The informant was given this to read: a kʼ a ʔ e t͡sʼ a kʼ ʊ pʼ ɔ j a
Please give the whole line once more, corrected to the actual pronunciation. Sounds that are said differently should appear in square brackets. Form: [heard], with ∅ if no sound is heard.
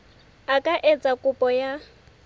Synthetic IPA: a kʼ a ʔ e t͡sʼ a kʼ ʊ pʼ ɔ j a